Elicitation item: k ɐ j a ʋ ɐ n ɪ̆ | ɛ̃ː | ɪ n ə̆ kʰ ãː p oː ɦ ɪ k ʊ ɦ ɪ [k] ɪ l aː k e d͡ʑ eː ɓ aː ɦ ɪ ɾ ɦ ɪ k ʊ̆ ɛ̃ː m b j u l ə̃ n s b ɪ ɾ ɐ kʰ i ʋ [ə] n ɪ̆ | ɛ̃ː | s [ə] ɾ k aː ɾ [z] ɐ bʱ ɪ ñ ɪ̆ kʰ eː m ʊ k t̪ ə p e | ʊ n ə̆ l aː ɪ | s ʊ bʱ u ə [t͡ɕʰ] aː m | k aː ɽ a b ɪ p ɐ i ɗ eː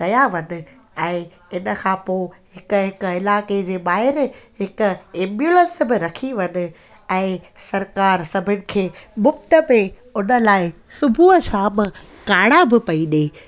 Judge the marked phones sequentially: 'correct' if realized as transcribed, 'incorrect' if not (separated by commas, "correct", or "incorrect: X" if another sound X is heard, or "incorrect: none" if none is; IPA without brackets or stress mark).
correct, incorrect: ɐ, incorrect: ɐ, incorrect: s, correct